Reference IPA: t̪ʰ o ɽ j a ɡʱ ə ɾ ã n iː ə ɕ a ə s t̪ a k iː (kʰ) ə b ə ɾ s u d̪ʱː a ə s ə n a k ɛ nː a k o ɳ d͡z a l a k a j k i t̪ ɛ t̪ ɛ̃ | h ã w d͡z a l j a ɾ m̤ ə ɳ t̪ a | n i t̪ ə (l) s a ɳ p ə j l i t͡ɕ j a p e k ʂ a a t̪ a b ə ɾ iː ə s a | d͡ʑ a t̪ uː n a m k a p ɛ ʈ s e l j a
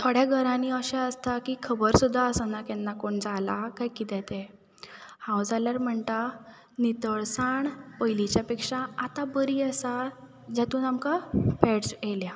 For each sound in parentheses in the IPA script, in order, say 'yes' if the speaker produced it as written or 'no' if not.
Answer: yes, no

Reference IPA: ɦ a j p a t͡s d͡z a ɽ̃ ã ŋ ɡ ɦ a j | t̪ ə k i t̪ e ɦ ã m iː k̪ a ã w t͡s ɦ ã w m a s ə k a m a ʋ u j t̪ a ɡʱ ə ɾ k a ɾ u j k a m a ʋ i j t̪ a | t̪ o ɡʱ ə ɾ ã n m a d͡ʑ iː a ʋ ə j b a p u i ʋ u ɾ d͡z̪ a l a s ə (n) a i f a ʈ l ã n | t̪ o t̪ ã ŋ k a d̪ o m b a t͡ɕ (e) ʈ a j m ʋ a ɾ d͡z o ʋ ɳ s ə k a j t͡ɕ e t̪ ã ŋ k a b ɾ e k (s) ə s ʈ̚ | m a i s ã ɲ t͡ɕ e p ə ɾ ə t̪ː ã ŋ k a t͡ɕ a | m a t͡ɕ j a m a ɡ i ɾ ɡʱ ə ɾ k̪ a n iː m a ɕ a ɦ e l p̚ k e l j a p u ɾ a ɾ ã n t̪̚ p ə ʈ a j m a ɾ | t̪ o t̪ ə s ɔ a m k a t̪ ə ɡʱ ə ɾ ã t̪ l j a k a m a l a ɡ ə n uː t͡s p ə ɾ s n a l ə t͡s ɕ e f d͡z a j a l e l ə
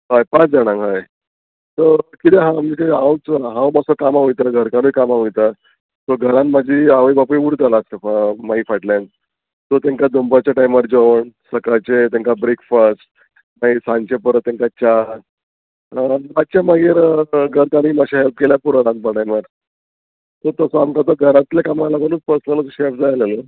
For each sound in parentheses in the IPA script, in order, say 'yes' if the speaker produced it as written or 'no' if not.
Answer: no, no, no

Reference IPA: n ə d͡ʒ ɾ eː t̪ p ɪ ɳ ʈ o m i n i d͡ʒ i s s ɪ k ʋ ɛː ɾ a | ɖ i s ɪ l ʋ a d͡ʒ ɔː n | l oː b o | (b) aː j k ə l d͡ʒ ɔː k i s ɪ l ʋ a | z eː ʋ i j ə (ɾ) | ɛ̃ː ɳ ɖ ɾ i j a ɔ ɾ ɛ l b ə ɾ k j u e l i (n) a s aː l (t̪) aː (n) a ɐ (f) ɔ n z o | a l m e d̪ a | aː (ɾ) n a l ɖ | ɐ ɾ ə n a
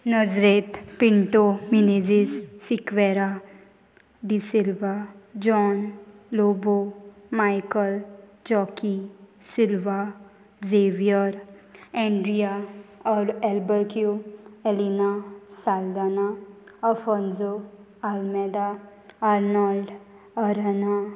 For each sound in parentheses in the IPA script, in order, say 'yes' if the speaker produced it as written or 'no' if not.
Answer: no, yes, yes, no, yes, yes, yes

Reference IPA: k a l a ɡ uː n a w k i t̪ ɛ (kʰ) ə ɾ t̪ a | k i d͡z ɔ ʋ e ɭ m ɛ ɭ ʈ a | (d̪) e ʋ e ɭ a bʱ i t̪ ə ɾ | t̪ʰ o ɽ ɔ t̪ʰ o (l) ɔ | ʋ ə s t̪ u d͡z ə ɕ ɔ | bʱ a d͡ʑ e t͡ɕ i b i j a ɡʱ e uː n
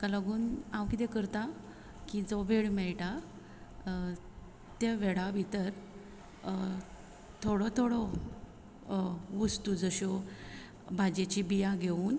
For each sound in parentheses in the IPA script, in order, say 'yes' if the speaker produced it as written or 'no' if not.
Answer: no, no, no

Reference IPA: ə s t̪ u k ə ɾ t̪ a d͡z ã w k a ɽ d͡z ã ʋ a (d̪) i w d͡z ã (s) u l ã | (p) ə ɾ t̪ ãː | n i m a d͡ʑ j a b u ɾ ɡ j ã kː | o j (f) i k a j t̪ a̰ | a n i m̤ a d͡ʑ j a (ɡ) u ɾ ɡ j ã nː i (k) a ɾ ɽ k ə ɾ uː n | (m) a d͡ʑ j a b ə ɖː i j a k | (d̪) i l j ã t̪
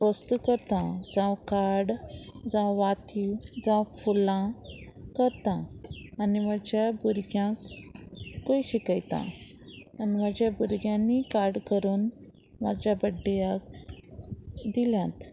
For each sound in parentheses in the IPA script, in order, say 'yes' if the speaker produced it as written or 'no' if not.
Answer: no, no, no, no, no, yes, yes, yes

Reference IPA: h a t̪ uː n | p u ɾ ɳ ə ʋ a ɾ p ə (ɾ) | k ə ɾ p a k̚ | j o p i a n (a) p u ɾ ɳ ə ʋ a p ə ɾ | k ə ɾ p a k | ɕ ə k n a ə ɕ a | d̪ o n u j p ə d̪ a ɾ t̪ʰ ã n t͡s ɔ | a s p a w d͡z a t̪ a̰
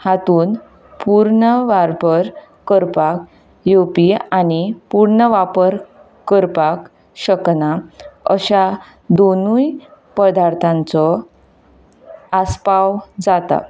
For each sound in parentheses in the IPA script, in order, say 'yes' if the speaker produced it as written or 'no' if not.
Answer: yes, no

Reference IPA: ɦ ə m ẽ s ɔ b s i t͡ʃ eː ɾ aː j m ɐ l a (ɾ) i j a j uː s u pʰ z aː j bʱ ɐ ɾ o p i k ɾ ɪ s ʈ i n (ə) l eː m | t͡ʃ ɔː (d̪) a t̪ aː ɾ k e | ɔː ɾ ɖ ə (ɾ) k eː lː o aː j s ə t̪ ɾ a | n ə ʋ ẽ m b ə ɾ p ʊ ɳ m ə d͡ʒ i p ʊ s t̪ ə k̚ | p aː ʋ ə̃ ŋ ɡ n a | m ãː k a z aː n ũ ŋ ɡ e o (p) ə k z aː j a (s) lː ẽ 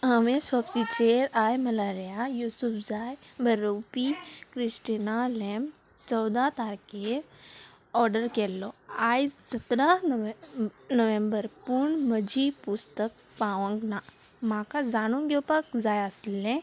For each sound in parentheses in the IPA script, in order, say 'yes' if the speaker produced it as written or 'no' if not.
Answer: yes, no, yes, yes, yes, yes

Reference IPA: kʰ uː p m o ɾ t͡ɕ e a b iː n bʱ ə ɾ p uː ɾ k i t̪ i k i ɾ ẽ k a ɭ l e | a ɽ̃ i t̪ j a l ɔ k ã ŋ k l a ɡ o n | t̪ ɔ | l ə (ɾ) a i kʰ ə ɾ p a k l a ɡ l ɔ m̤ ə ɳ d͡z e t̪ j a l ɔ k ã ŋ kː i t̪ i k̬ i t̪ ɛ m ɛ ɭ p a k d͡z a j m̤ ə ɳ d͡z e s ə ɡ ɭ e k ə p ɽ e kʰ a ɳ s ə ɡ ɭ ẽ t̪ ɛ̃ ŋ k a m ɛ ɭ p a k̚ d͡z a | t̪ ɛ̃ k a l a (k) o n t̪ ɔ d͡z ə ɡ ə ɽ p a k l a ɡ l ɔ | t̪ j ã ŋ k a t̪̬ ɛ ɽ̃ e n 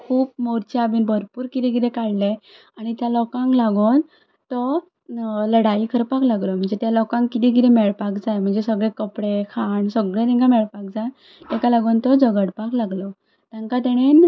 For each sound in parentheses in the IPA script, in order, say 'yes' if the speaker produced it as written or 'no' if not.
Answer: no, no

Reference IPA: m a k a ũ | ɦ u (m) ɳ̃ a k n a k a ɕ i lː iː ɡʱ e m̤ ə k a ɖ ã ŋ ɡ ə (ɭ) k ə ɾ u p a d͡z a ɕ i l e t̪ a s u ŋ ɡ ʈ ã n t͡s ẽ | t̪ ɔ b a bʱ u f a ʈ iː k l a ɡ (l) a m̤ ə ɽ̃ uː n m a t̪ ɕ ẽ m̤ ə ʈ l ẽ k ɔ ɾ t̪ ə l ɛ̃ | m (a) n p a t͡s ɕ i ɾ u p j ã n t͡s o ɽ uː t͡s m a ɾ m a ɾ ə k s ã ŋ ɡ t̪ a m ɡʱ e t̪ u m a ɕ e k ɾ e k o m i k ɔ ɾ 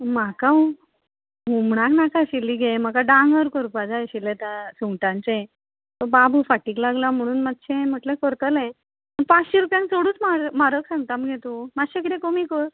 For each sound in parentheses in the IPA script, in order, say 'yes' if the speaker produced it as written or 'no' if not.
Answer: yes, no, yes, no

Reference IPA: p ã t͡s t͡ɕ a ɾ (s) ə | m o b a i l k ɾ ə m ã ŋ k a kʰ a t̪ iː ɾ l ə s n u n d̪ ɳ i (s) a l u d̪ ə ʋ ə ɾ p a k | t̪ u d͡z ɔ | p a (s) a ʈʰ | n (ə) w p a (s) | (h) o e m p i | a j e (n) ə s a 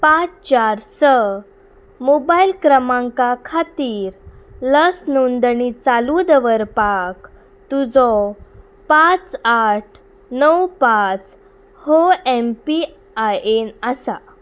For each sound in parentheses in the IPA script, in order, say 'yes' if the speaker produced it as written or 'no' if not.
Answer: yes, no, no, yes, no, yes, yes

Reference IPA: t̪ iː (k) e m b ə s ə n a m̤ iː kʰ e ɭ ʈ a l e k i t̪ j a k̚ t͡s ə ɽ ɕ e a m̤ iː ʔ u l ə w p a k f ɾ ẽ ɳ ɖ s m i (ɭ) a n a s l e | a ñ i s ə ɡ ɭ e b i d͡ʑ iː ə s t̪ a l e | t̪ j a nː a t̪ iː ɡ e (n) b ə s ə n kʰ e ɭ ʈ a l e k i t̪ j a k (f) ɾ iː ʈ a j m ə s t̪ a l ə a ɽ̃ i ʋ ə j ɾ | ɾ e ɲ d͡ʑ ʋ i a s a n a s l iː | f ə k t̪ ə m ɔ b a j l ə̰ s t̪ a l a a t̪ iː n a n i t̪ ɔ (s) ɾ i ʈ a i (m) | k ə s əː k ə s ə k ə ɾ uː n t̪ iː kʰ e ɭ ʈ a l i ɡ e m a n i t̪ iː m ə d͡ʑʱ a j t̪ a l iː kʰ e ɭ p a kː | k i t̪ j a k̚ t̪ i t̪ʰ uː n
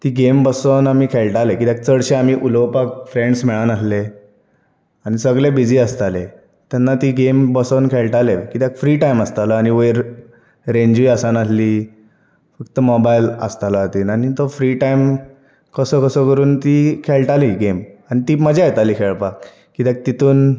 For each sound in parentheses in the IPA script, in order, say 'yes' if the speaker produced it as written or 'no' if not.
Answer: no, yes, no, yes, no, yes

